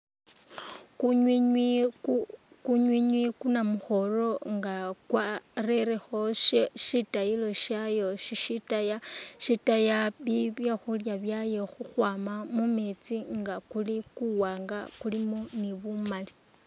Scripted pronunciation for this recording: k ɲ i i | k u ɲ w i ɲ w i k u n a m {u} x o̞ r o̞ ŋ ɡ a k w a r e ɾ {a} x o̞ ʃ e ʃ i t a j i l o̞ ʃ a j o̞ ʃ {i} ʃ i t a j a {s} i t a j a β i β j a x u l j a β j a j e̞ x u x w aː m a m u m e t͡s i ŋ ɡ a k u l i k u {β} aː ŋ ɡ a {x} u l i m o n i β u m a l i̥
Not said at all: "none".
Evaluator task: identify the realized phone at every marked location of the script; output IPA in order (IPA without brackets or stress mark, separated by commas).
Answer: u, e, i, ʃ, w, k